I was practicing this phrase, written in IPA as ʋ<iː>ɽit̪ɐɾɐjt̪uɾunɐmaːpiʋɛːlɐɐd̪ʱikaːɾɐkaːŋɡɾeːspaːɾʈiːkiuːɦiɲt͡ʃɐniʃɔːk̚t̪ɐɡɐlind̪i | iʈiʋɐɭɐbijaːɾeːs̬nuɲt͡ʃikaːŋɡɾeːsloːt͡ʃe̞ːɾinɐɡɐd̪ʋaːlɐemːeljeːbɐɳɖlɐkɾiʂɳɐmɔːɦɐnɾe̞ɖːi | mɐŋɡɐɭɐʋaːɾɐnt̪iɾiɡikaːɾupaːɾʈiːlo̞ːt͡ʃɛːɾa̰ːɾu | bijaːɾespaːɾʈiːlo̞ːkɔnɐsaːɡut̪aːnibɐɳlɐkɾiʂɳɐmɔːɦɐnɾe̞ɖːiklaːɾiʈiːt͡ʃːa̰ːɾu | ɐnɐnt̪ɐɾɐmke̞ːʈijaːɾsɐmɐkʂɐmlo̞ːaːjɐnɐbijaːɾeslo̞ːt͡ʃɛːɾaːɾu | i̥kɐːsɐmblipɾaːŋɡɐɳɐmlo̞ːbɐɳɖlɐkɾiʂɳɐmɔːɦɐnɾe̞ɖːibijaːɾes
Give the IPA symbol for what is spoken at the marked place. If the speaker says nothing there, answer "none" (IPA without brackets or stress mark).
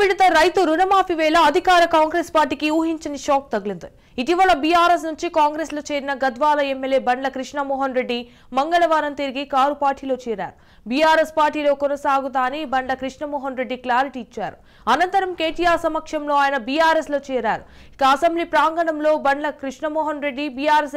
i